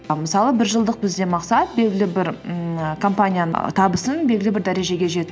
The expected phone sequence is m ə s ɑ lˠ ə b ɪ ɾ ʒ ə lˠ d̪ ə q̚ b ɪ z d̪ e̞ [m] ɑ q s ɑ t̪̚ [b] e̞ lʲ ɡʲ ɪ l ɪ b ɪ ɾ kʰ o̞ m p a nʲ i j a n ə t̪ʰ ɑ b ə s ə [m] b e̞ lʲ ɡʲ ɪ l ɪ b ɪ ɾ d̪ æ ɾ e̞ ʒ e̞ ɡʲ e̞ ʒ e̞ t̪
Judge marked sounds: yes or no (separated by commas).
yes, yes, no